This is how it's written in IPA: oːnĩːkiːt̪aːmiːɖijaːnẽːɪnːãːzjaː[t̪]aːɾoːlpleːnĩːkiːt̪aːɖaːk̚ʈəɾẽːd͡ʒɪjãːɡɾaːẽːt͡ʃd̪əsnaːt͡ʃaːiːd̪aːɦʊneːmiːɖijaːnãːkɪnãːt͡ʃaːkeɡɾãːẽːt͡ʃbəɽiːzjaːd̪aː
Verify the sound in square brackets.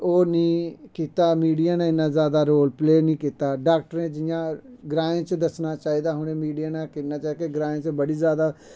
incorrect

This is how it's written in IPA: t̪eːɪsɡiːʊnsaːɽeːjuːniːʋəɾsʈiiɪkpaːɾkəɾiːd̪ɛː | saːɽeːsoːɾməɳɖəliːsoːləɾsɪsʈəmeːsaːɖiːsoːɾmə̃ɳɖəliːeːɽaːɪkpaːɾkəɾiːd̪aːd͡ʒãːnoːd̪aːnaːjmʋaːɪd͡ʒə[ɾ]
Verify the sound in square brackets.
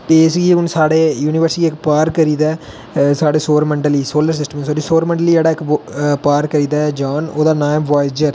correct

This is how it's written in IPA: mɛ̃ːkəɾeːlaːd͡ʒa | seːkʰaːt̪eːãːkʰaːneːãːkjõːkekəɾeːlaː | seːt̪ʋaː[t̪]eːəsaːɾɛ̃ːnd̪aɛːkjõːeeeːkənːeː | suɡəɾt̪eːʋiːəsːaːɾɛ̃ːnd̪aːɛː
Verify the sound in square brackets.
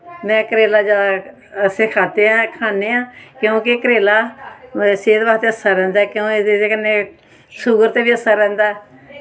correct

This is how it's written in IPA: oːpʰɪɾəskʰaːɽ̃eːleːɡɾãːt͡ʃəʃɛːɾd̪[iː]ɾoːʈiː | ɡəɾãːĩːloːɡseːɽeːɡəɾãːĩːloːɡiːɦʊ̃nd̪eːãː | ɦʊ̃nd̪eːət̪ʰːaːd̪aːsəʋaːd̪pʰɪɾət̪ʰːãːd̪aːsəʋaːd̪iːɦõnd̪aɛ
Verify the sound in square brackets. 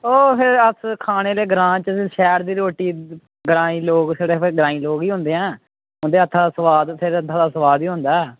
correct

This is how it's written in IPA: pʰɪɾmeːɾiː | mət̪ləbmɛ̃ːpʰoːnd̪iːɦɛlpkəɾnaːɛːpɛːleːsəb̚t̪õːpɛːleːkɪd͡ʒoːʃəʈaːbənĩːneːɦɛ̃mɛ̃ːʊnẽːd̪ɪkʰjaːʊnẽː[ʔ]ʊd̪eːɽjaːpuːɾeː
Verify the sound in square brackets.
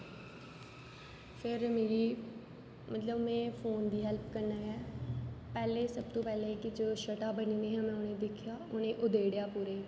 correct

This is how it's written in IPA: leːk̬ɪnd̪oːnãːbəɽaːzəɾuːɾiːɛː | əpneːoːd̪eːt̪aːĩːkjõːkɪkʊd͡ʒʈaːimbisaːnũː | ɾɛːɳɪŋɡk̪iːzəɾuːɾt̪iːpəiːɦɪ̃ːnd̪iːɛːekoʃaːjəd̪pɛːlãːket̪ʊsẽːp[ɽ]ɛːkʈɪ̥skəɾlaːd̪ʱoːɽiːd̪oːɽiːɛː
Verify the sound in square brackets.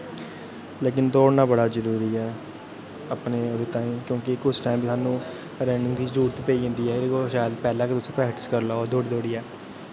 incorrect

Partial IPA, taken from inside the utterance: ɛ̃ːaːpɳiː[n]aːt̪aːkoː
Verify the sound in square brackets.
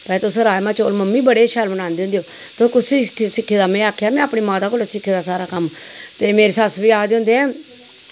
incorrect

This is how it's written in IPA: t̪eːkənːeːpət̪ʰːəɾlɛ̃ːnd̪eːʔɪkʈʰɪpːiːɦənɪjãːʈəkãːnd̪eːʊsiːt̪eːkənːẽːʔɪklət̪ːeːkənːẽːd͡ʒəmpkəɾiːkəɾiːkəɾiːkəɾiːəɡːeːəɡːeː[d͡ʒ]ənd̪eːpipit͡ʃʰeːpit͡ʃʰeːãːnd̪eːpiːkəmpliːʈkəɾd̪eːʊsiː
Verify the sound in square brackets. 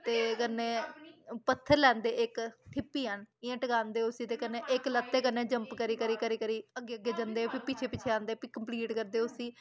correct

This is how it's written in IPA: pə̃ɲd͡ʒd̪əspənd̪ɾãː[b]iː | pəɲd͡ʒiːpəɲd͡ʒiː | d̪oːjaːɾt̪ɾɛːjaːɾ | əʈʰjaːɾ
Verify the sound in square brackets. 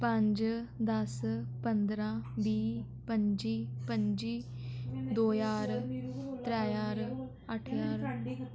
correct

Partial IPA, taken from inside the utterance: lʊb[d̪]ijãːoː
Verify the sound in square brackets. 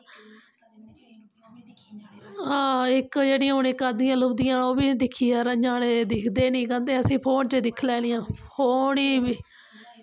correct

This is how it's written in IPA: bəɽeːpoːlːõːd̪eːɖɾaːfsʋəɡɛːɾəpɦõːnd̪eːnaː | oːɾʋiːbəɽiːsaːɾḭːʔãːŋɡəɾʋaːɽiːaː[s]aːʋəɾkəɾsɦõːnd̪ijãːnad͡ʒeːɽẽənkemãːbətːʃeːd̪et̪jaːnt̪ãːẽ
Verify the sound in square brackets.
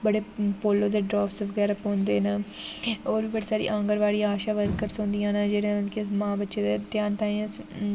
incorrect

